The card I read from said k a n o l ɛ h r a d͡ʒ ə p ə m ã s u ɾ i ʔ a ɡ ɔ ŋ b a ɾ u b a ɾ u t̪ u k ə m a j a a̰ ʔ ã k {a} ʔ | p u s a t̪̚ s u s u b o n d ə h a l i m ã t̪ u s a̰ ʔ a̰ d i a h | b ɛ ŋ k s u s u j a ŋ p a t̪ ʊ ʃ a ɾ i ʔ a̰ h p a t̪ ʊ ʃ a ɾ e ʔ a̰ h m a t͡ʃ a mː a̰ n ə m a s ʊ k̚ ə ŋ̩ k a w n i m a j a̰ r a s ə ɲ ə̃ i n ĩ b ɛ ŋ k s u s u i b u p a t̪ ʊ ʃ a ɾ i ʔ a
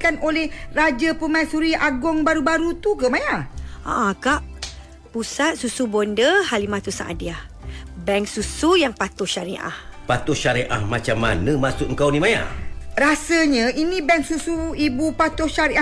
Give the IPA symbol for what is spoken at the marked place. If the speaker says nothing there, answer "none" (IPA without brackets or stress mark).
a